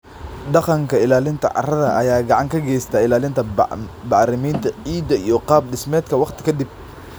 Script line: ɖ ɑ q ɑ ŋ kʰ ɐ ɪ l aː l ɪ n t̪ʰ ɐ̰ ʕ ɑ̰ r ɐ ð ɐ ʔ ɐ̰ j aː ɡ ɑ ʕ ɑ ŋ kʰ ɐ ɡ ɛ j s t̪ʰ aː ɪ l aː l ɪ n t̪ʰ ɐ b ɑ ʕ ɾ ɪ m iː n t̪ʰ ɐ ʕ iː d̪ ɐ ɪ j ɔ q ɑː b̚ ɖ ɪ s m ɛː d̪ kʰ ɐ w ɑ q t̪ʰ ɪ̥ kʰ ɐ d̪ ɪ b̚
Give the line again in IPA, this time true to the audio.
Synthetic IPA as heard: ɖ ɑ q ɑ ŋ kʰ ɐ ɪ l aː l ɪ n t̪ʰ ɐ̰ ʕ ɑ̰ r ɐ ð ɐ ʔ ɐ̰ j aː ɡ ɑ ʕ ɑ ŋ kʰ ɐ ɡ ɛ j s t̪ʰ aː ɪ l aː l ɪ n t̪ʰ ɐ b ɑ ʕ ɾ ɪ m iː n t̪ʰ ɐ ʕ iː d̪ ɐ i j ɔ q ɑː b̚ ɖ ɪ s m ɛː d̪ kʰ ɐ w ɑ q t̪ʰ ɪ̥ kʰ ɐ d̪ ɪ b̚